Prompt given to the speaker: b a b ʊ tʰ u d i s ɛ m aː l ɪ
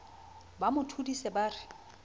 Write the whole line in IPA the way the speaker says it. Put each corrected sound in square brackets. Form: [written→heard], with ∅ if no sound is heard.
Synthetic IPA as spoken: b a [b→m] ʊ tʰ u d i s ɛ [m→b] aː [l→r] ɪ